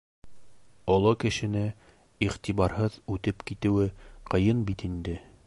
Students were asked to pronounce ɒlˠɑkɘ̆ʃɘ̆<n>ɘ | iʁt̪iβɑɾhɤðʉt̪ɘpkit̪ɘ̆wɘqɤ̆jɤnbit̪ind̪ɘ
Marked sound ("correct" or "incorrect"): correct